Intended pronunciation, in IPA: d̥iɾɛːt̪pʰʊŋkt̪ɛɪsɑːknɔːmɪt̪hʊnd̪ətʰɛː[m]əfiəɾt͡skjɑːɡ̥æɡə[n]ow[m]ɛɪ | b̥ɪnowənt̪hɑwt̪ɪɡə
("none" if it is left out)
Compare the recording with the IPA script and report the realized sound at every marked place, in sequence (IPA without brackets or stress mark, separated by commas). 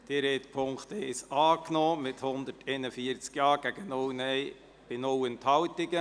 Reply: n, n, n